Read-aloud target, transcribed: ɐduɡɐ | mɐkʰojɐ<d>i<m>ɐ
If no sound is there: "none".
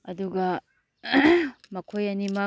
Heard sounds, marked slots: n, m

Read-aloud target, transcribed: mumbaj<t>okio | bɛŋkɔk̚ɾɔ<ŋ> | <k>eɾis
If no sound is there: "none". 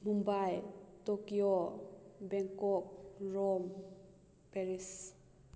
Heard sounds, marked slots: t, m, p

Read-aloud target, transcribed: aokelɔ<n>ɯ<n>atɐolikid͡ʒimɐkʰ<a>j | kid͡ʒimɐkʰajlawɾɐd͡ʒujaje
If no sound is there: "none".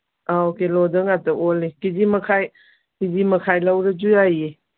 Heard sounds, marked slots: d, ŋ, a

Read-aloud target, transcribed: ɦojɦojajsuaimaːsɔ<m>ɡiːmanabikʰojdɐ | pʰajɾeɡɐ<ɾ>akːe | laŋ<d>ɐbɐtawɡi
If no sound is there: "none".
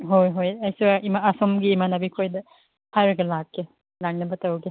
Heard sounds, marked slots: m, l, n

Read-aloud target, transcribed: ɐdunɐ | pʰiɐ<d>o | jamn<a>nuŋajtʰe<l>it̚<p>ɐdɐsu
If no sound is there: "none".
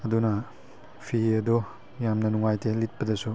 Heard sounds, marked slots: d, ɐ, l, p

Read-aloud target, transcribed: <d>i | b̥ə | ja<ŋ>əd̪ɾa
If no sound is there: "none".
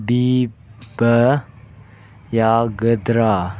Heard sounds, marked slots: b, ɡ

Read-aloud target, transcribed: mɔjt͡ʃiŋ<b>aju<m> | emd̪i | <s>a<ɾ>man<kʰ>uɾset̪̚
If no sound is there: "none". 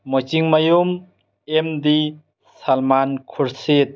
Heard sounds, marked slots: m, m, s, l, kʰ

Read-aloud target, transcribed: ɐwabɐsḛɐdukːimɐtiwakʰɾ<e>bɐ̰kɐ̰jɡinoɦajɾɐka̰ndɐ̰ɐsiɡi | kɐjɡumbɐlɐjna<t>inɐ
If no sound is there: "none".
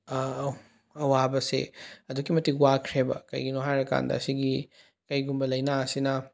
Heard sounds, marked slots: e, s

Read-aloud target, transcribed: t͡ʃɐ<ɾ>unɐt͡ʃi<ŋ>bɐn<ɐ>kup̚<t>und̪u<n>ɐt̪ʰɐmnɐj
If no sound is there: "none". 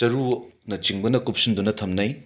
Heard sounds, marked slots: ɾ, ŋ, ɐ, s, n

